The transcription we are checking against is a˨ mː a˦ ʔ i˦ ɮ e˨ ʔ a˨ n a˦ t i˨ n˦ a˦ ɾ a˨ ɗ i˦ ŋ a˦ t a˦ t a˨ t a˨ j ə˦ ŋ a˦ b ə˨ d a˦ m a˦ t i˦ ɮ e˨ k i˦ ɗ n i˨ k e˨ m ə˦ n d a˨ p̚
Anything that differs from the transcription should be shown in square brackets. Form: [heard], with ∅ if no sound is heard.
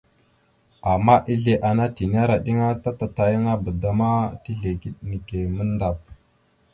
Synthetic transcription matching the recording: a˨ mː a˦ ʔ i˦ ɮ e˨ ʔ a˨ n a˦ t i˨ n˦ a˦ ɾ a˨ ɗ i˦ ŋ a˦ t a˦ t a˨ t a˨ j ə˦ ŋ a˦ b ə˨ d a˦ m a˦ t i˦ ɮ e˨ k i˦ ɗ n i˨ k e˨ m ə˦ n d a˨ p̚